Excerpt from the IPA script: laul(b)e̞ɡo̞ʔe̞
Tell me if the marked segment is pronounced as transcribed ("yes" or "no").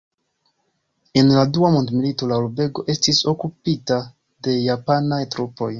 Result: yes